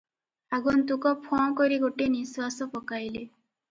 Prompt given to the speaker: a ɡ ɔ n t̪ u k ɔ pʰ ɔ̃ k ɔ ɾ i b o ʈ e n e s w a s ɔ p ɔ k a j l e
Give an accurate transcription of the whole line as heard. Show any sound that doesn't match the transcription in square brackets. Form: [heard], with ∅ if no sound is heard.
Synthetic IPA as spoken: a ɡ ɔ n t̪ u k ɔ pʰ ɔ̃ k ɔ ɾ i [ɡ] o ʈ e n [i] s w a s ɔ p ɔ k a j l e